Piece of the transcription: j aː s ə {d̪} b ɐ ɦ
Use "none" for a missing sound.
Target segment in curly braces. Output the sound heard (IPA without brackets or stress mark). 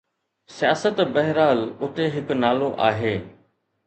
t̪